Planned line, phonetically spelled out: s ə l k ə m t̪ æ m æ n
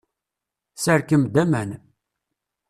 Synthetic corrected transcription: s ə ɾ k ə m d̪ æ m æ n